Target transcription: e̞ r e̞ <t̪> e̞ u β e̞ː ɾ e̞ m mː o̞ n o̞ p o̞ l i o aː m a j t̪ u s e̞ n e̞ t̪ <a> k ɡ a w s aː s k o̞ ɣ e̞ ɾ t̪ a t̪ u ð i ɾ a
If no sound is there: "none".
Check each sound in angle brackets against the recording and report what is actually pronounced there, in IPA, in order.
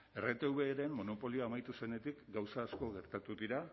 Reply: t̪, i

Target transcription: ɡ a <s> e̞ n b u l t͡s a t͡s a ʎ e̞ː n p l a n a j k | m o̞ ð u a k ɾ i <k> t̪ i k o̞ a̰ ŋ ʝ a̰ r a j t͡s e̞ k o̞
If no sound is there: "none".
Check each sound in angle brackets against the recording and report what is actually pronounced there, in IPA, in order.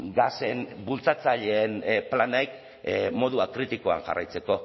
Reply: s, none

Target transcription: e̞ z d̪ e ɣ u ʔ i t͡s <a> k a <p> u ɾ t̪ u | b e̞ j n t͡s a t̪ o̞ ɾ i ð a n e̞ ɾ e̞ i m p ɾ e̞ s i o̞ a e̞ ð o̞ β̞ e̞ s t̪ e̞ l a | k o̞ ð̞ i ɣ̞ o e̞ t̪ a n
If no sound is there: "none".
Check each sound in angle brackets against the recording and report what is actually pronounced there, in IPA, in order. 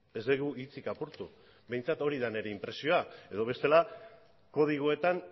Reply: i, p

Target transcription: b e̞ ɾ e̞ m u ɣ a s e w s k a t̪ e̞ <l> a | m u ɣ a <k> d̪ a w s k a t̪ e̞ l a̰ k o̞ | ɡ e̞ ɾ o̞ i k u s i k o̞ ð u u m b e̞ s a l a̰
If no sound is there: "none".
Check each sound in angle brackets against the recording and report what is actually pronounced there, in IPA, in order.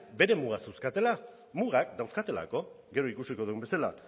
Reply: l, k

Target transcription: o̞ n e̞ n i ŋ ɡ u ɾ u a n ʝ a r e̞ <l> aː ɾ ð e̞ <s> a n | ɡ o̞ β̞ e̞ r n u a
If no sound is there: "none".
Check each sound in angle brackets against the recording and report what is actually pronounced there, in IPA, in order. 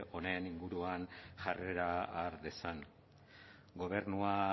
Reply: ɾ, s

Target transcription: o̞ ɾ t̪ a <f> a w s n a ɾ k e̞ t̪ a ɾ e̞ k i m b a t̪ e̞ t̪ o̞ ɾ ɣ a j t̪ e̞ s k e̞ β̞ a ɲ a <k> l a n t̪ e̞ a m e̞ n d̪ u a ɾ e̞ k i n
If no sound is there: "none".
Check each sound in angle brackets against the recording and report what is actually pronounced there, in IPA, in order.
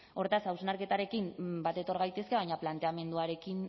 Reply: s, p

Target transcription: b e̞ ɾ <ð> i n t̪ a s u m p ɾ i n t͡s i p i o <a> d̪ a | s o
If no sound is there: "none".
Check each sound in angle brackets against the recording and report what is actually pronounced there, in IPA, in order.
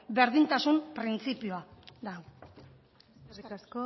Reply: ð, a

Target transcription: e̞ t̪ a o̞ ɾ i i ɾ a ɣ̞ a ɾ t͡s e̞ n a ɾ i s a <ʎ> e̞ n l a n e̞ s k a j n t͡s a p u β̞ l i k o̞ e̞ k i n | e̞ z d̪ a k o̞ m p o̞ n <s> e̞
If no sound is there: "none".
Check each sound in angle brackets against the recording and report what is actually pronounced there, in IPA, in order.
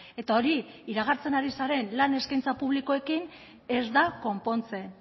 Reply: ɾ, t͡s

